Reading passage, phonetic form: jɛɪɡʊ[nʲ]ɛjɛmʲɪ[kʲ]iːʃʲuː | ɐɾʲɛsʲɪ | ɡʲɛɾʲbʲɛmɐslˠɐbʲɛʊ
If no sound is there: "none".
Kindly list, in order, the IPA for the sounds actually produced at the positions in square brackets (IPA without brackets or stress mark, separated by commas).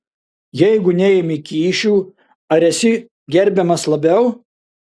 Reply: nʲ, kʲ